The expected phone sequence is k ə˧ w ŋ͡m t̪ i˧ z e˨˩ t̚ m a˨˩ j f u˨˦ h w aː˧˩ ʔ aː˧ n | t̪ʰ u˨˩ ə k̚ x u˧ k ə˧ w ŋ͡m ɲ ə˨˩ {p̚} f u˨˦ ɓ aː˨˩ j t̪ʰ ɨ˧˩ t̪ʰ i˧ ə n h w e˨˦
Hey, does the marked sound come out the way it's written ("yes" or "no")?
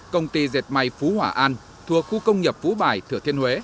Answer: yes